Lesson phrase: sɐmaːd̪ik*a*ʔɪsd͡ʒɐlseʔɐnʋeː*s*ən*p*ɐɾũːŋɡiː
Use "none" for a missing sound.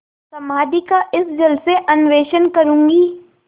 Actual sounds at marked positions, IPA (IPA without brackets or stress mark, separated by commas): a, ʃ, k